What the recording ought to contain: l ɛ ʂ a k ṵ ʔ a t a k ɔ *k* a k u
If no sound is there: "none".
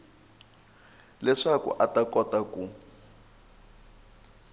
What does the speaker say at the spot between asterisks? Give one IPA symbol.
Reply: t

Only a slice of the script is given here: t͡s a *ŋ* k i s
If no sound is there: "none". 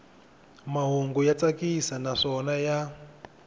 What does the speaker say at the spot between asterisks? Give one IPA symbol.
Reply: none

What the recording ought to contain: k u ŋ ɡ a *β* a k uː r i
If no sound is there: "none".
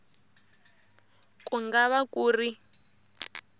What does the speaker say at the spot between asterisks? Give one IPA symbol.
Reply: β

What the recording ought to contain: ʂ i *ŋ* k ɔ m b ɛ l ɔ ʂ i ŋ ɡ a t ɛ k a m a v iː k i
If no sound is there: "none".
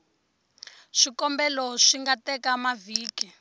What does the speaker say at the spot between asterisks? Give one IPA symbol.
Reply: none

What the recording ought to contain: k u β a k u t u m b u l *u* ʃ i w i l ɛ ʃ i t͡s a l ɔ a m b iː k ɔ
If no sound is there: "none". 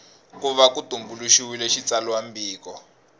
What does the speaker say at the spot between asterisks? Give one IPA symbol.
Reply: u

